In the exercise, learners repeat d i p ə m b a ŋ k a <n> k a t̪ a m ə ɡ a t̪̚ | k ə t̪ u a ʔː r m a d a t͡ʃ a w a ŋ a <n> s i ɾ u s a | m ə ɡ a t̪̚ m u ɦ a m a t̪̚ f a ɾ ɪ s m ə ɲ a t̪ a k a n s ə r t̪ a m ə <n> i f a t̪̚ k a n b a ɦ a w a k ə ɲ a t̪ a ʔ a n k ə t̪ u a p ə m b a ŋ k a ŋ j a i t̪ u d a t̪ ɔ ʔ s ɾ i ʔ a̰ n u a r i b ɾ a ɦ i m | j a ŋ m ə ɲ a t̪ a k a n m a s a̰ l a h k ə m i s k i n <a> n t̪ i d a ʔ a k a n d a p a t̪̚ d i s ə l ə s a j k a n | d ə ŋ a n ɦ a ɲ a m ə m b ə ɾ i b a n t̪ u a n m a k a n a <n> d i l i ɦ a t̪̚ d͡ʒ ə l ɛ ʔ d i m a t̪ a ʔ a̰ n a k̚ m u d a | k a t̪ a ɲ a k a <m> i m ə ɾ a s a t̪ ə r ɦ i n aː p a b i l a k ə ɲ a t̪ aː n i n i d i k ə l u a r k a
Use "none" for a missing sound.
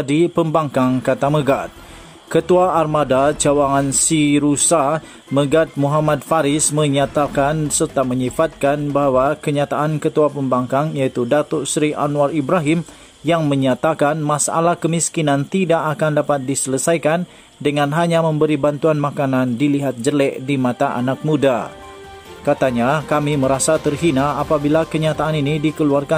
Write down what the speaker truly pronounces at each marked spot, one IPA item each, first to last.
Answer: ŋ, n, ɲ, a, n, m

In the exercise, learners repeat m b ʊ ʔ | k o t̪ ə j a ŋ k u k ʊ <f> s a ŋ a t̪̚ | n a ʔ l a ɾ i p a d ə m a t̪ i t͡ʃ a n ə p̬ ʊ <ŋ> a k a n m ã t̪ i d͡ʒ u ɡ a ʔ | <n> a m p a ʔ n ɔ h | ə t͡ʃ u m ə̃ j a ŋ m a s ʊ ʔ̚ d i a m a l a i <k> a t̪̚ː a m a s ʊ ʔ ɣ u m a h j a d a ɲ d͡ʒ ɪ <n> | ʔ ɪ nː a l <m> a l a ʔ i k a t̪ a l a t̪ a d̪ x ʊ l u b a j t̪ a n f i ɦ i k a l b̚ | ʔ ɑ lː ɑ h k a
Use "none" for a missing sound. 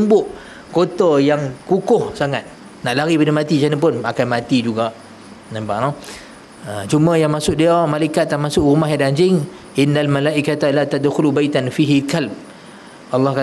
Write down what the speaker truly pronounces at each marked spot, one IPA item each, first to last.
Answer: h, n, n, k, ŋ, m

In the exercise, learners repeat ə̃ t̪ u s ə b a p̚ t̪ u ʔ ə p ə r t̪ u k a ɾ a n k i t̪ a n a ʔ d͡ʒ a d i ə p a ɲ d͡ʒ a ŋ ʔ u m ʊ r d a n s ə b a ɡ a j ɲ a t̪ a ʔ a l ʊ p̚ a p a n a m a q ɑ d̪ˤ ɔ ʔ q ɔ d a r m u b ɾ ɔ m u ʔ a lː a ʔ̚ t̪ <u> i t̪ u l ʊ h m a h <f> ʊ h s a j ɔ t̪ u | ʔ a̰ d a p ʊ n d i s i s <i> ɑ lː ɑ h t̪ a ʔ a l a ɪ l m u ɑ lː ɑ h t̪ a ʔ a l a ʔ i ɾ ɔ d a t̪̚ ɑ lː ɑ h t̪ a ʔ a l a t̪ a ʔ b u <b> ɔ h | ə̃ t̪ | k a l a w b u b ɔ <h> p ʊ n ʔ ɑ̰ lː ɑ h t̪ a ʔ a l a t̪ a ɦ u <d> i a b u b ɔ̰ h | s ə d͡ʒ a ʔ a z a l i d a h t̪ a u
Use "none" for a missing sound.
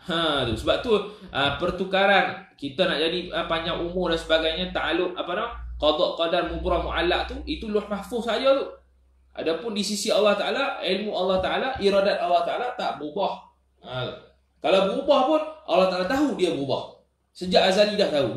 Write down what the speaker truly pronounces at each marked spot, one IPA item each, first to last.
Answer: u, f, i, b, h, d

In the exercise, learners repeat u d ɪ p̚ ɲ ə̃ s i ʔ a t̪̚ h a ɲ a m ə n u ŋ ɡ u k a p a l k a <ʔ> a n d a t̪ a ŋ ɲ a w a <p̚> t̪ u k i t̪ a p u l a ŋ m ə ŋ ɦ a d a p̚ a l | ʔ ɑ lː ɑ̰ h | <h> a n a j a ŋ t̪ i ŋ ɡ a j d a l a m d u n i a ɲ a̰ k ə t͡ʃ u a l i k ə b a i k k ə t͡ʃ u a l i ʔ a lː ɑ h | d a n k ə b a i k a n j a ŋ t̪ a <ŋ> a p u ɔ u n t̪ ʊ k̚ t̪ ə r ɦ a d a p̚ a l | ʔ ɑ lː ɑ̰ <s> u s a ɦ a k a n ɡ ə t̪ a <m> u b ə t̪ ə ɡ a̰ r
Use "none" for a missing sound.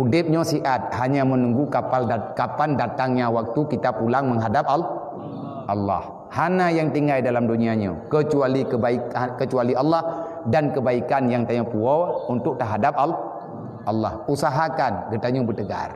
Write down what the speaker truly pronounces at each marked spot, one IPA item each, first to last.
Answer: p, k̚, h, ɲ, h, ɲ

